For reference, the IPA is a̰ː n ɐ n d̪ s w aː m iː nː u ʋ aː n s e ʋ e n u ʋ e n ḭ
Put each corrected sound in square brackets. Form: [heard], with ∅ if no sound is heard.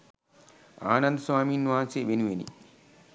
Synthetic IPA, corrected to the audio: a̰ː n ɐ n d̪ s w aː m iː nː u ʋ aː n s e ʋ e n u ʋ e n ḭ